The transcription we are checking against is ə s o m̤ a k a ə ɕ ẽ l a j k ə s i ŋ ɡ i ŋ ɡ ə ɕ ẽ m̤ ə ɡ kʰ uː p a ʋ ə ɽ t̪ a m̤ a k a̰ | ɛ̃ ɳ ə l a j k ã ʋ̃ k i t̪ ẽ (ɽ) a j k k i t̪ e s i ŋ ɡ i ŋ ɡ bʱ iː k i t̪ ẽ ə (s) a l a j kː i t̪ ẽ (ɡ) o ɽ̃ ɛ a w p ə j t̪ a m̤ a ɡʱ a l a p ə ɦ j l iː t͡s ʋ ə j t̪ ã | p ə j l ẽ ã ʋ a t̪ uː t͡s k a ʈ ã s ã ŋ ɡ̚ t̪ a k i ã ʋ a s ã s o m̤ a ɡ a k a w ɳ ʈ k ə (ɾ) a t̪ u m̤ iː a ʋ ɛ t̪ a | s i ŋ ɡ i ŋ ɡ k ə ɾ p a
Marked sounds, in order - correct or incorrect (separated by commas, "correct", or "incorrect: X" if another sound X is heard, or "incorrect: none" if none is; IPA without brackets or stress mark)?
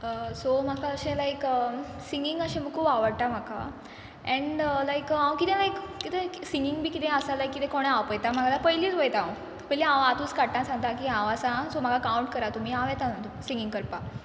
incorrect: l, correct, incorrect: k, correct